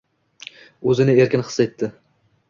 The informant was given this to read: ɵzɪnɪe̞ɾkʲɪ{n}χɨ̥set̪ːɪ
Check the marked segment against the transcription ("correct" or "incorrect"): correct